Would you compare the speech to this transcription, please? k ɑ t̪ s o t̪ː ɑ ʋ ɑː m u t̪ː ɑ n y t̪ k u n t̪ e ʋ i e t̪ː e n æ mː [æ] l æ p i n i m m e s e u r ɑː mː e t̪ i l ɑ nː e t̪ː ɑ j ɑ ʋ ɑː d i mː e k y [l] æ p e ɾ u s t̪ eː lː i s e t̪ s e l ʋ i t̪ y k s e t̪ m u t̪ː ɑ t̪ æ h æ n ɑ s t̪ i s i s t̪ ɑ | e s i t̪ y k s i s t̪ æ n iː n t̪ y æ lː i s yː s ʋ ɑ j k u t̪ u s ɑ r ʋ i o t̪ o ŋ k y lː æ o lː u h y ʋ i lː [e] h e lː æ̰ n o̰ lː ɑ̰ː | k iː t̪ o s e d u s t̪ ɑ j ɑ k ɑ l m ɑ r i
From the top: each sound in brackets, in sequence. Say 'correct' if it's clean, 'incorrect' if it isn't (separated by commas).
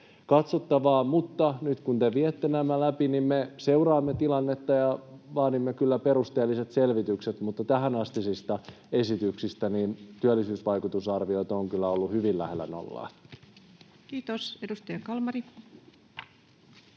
correct, incorrect, incorrect